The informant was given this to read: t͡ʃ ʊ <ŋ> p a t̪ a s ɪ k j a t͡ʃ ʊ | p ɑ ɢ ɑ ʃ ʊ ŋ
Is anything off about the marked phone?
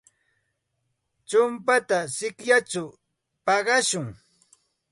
yes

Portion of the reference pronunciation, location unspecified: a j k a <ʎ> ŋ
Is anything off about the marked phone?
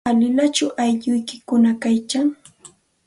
yes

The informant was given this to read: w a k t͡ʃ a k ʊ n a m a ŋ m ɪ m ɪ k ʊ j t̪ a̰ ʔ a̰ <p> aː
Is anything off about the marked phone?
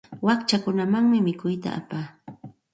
no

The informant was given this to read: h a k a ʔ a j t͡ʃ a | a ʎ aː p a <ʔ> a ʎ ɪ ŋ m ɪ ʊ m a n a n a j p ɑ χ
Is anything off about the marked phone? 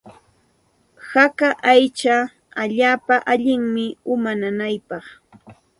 no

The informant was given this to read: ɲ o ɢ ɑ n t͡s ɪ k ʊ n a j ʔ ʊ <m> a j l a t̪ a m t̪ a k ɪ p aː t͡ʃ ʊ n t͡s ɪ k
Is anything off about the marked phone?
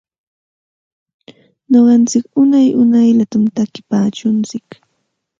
yes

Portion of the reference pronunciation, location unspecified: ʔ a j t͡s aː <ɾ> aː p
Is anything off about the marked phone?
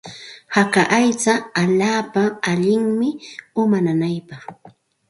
yes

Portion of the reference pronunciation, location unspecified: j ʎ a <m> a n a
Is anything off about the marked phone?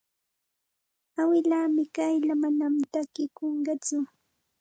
no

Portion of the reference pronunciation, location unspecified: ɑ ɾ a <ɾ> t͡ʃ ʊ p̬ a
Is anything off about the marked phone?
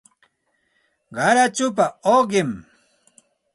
yes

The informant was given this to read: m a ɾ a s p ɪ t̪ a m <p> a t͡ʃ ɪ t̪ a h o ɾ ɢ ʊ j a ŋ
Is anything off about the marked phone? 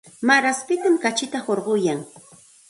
yes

